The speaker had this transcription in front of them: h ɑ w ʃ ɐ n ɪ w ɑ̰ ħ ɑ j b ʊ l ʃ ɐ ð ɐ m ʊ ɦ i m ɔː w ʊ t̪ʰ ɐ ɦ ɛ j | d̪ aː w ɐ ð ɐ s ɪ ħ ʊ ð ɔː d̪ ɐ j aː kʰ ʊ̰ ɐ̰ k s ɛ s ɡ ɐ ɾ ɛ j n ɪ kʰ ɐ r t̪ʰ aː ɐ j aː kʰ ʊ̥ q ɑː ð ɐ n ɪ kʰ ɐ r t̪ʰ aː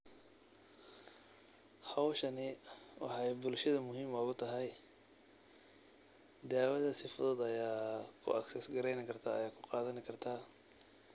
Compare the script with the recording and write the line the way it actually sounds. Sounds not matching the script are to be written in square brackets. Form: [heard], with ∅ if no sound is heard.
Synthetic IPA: h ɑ w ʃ ɐ n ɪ w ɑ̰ ħ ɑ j b ʊ l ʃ ɐ ð ɐ m ʊ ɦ [iː] m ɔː [ɣ] ʊ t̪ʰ ɐ ɦ ɛ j | d̪ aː w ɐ ð ɐ s ɪ [f] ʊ ð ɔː d̪ ɐ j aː kʰ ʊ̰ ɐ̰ k s ɛ s ɡ ɐ ɾ ɛ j n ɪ kʰ ɐ r t̪ʰ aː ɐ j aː kʰ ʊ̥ q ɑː ð ɐ n ɪ kʰ ɐ r t̪ʰ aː